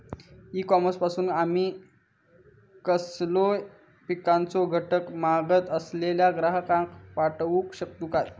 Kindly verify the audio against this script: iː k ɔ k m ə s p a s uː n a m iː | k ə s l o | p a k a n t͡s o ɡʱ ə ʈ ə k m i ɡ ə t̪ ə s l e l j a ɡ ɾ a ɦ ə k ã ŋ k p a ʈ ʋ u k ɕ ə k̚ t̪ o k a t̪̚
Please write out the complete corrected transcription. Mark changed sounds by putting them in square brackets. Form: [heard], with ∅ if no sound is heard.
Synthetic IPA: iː k ɔ [∅] m ə s p a s uː n a m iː | k ə s l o | p [i] k a n t͡s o ɡʱ ə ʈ ə k m [a] ɡ ə t̪ ə s l e l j a ɡ ɾ a ɦ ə k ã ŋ k p a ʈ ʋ u k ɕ ə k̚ t̪ [u] k a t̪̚

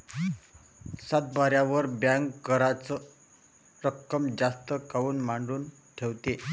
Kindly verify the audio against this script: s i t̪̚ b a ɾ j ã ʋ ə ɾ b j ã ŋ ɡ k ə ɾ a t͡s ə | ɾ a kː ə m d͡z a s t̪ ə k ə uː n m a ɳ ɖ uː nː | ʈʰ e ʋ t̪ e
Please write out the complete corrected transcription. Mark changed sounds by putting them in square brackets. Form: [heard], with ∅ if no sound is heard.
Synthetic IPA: s [a] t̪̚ b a ɾ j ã ʋ ə ɾ b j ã ŋ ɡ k ə ɾ a t͡s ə | ɾ [ə] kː ə m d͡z a s t̪ ə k [a] uː n m a ɳ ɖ uː [n] | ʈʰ e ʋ t̪ e

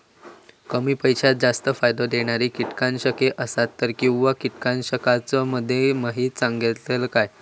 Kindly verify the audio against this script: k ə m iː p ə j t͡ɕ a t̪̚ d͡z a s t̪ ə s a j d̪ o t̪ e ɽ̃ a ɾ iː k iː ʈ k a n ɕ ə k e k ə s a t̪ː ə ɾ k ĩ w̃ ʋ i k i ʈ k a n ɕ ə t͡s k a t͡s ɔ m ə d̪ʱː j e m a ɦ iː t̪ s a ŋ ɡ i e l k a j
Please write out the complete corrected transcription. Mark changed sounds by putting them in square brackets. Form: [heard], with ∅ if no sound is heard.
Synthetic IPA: k ə m iː p ə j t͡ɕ a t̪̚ d͡z a s t̪ ə [f] a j d̪ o [d̪] e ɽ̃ a ɾ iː k [i] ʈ k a n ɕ ə k e [ʔ] ə s a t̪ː ə ɾ k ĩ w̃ ʋ [a] k i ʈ k a n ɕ ə [∅] k a t͡s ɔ m ə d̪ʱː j e m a ɦ iː t̪ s a ŋ ɡ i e l k a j

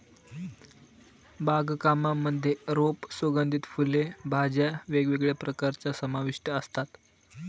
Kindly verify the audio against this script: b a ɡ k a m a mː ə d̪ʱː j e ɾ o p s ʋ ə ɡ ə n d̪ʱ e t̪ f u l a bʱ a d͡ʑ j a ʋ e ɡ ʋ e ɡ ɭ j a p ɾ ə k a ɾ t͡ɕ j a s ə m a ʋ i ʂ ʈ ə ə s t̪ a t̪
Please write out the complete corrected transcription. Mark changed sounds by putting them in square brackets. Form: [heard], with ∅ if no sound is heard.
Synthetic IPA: b a ɡ k a m a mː ə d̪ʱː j e ɾ o p s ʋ ə ɡ ə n d̪ʱ [i] t̪ f u l [e] bʱ a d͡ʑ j a ʋ e ɡ ʋ e ɡ ɭ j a p ɾ ə k a ɾ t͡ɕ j a s ə m a ʋ i ʂ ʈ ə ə s t̪ a t̪

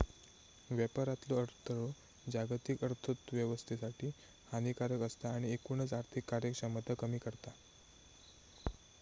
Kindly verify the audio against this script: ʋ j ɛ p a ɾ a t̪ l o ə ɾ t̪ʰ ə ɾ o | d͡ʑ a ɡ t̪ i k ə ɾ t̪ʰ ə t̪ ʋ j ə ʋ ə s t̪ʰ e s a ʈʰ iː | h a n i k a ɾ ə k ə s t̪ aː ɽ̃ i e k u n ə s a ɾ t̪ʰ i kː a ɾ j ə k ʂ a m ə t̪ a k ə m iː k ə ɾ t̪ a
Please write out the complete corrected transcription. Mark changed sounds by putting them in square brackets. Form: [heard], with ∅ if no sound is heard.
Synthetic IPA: ʋ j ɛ p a ɾ a t̪ l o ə ɾ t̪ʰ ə ɾ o | d͡ʑ a ɡ t̪ i k ə ɾ t̪ʰ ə t̪ ʋ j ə ʋ ə s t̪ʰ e s a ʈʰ iː | h a n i k a ɾ ə k ə s t̪ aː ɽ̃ i e k u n ə [t͡s] a ɾ t̪ʰ i kː a ɾ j ə k ʂ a m ə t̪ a k ə m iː k ə ɾ t̪ a

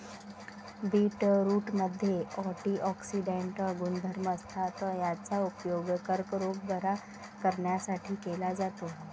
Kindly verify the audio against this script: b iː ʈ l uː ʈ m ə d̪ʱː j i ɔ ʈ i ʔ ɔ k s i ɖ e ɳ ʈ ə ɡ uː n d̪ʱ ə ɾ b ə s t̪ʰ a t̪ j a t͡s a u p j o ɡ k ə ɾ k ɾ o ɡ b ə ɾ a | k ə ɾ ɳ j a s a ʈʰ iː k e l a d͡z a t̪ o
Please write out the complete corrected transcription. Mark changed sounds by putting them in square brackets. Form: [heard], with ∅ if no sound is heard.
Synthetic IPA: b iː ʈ [ɾ] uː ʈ m ə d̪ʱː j [e] ɔ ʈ i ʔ ɔ k s i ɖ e ɳ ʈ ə ɡ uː n d̪ʱ ə ɾ [m] ə s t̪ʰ a t̪ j a t͡s a u p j o ɡ k ə ɾ k ɾ o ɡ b ə ɾ a | k ə ɾ ɳ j a s a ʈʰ iː k e l a d͡z a t̪ o

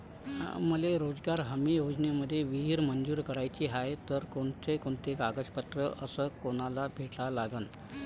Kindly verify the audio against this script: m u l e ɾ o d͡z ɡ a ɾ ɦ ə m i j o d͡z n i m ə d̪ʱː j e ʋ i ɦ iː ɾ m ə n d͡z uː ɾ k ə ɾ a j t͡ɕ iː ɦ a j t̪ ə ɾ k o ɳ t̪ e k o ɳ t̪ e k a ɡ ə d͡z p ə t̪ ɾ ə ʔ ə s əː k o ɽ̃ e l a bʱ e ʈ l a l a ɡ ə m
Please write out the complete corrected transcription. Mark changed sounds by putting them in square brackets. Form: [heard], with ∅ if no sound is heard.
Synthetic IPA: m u l e ɾ o d͡z ɡ a ɾ ɦ ə m i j o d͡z n [e] m ə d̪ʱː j e ʋ i ɦ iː ɾ m ə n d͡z uː ɾ k ə ɾ a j t͡ɕ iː ɦ a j t̪ ə ɾ k o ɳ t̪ e k o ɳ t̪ e k a ɡ ə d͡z p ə t̪ ɾ ə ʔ ə s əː k o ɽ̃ [a] l a bʱ e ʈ l a l a ɡ ə [n]

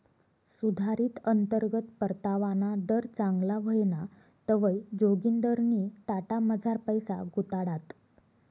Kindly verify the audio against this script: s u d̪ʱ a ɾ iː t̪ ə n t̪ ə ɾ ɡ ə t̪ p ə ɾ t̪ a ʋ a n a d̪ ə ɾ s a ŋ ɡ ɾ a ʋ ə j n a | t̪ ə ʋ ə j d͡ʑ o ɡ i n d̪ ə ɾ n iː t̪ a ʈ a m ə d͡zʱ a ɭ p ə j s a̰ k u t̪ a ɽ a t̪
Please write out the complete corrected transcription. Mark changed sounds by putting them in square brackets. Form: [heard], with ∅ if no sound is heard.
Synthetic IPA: s u d̪ʱ a ɾ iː t̪ ə n t̪ ə ɾ ɡ ə t̪ p ə ɾ t̪ a ʋ a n a d̪ ə ɾ [t͡s] a ŋ ɡ [l] a ʋ ə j n a | t̪ ə ʋ ə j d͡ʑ o ɡ i n d̪ ə ɾ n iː t̪ a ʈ a m ə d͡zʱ a [ɾ] p ə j s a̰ [ɡ] u t̪ a ɽ a t̪

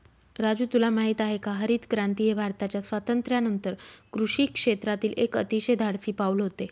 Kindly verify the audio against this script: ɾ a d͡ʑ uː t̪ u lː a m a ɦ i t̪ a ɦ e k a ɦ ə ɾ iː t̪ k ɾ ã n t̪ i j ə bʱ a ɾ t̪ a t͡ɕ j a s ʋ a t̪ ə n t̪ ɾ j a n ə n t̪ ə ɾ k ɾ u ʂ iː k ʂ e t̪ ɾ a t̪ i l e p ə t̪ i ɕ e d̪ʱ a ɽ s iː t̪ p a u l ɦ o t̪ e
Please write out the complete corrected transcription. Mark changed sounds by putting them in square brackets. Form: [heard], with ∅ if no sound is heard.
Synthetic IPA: ɾ a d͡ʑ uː t̪ u [l] a m a ɦ i t̪ a ɦ e k a ɦ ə ɾ iː t̪ k ɾ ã n t̪ i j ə bʱ a ɾ t̪ a t͡ɕ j a s ʋ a t̪ ə n t̪ ɾ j a n ə n t̪ ə ɾ k ɾ u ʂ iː k ʂ e t̪ ɾ a t̪ [iː] l e [k] ə t̪ i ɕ e d̪ʱ a ɽ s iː [∅] p a u l ɦ o t̪ e

